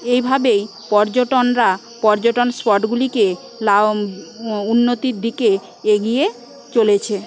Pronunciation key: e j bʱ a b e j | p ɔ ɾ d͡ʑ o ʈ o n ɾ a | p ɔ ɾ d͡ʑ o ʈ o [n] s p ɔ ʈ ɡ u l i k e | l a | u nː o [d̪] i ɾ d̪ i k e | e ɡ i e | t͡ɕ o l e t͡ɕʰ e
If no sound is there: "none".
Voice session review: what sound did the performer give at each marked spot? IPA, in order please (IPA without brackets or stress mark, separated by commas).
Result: n, t̪